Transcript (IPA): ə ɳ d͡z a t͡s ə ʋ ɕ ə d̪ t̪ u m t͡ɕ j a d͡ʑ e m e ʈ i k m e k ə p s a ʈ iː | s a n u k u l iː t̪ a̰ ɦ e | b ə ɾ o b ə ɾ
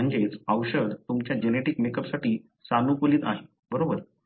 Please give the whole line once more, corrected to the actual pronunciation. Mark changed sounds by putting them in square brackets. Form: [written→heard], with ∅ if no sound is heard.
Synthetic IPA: ə ɳ d͡z [a→e] t͡s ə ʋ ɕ ə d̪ t̪ u m t͡ɕ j a d͡ʑ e [m→n] e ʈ i k m e k ə p s a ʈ iː | s a n u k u l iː t̪ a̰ ɦ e | b ə ɾ o b ə ɾ